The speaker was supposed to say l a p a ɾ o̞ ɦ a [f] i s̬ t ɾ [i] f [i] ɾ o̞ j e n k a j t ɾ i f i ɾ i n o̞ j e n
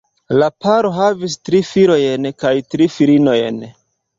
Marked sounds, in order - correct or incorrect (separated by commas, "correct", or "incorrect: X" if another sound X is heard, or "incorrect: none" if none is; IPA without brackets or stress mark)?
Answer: incorrect: v, correct, correct